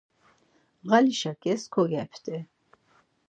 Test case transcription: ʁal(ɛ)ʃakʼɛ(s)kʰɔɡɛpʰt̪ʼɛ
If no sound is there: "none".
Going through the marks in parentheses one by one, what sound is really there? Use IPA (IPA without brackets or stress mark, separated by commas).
i, s